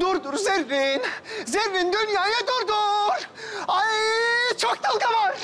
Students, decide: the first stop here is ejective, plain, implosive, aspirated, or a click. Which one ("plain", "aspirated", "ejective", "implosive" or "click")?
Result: plain